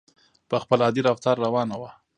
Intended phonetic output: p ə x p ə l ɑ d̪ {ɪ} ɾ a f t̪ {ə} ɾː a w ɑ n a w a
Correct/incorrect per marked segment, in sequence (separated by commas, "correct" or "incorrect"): incorrect, incorrect